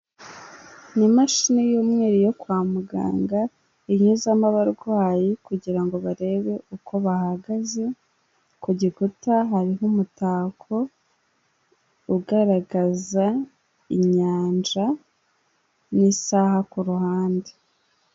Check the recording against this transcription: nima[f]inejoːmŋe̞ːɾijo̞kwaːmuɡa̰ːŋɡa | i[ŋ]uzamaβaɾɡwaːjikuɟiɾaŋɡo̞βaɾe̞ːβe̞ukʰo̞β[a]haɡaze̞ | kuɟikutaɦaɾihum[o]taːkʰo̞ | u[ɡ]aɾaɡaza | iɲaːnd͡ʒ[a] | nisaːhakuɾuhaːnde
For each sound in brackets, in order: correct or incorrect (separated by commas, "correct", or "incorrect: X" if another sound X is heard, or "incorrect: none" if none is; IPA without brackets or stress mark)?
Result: incorrect: ʃ, incorrect: ɲ, correct, incorrect: u, correct, correct